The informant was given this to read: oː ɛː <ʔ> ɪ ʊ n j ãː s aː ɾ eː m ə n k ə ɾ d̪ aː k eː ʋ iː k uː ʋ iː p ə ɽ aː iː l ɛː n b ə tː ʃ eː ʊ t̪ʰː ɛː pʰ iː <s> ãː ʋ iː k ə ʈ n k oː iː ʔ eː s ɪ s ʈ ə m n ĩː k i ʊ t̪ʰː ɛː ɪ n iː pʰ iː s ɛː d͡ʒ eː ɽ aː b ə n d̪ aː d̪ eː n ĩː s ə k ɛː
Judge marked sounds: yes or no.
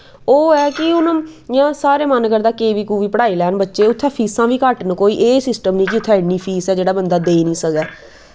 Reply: no, yes

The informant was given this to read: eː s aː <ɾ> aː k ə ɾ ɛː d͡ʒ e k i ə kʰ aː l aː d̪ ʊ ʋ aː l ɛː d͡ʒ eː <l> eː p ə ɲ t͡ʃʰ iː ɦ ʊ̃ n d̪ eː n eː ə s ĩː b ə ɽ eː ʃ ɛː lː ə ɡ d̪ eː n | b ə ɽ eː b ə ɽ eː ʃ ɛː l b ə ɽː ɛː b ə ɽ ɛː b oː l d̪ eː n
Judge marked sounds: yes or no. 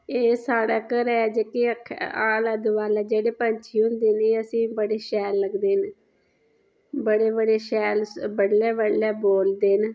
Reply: no, no

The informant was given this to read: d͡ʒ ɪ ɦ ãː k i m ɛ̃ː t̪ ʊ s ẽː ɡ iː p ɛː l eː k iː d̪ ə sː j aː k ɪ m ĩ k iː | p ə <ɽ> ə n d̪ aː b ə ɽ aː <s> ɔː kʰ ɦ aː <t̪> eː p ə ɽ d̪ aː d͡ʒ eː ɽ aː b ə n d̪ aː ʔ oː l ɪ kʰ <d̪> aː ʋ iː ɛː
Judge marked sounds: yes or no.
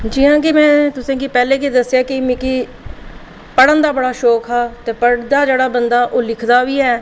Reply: yes, no, yes, yes

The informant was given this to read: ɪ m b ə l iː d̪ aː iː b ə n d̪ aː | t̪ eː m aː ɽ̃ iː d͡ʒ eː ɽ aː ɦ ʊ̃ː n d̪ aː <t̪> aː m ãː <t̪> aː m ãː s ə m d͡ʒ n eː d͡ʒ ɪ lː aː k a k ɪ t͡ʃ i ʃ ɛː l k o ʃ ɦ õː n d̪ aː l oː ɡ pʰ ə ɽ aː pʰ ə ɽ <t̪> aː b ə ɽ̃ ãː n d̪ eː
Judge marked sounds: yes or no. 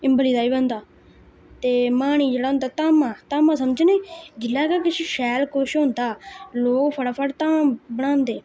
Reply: yes, yes, yes

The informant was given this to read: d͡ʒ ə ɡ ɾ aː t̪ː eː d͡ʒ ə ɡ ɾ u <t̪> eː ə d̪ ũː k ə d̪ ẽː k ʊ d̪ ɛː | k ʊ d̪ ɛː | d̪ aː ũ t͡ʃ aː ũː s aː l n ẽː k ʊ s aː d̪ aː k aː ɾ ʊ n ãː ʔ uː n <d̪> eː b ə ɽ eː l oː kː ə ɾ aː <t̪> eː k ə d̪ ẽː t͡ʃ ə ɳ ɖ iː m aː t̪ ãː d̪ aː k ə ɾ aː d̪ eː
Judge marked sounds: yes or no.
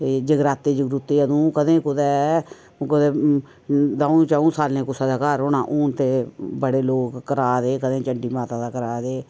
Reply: yes, no, no

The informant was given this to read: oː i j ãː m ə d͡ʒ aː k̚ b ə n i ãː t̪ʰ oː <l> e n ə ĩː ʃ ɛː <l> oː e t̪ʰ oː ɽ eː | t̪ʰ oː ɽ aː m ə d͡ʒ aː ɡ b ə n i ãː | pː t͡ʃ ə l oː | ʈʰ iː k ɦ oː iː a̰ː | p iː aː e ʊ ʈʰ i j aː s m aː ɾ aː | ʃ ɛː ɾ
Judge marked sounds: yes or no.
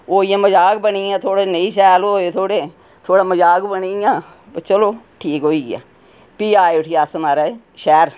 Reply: no, yes

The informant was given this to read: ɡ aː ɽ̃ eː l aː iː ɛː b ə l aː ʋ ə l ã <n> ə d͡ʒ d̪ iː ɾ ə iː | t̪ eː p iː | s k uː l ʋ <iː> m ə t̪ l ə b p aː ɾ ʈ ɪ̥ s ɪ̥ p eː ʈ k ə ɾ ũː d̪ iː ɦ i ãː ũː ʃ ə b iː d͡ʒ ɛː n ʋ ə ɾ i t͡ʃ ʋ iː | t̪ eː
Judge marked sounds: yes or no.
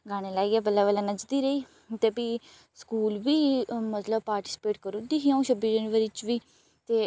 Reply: yes, yes

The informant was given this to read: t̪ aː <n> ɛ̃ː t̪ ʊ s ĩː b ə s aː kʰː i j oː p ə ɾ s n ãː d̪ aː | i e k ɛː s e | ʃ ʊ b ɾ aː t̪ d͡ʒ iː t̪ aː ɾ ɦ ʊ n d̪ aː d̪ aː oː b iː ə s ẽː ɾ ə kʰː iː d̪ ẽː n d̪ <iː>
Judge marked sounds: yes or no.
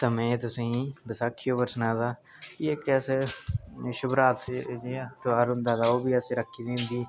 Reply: no, yes

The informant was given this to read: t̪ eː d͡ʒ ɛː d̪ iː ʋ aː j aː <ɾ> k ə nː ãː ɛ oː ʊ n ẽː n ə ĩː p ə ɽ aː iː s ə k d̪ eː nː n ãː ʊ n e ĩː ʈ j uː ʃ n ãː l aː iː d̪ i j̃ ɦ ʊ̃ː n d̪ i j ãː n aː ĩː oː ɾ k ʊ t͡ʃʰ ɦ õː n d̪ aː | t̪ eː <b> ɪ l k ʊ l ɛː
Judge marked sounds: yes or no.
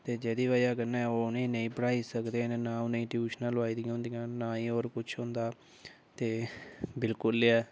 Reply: no, yes

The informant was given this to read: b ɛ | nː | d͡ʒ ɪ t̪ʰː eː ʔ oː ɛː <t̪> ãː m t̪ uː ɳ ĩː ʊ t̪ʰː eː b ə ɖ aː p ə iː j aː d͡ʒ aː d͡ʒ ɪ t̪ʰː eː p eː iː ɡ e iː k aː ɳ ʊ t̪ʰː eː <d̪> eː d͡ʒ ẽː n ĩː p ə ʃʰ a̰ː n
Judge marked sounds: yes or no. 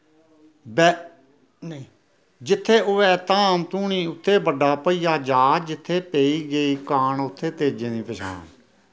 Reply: yes, no

